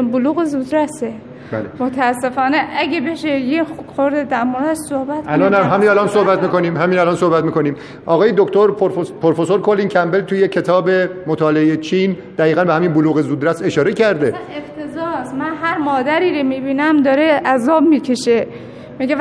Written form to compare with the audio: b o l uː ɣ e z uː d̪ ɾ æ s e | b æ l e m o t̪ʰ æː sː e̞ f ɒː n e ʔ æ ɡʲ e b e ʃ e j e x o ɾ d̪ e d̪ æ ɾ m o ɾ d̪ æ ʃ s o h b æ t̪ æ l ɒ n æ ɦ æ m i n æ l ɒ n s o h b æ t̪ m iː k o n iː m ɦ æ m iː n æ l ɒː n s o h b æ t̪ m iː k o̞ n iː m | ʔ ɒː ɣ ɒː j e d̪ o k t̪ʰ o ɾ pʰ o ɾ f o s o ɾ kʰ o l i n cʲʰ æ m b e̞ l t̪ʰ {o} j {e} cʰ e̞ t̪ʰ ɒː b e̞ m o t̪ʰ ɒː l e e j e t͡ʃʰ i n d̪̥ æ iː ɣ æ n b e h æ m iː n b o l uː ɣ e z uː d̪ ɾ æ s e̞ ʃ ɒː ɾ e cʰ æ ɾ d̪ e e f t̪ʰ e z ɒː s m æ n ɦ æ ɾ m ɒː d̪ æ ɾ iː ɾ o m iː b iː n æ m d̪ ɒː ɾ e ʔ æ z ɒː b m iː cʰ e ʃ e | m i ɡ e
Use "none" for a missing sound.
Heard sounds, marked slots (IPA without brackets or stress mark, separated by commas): u, e